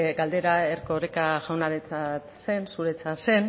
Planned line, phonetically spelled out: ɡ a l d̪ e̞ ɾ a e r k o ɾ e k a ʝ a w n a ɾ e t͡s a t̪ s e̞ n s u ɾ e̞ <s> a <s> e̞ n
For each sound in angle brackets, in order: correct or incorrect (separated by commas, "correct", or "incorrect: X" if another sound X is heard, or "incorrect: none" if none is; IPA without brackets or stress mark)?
incorrect: t͡s, correct